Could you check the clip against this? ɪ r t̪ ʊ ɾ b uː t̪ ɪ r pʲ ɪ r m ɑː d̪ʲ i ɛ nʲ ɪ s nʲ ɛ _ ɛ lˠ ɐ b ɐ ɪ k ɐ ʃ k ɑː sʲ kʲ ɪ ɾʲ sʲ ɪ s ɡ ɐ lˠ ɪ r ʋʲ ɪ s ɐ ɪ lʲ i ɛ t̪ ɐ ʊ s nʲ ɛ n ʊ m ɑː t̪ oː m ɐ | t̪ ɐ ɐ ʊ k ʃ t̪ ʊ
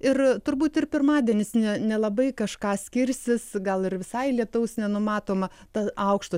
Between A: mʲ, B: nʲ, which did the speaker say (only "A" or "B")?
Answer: B